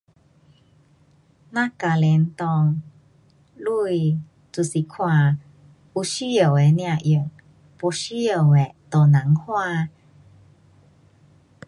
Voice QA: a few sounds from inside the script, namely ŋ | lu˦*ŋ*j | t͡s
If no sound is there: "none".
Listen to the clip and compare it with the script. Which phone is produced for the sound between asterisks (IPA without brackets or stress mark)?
none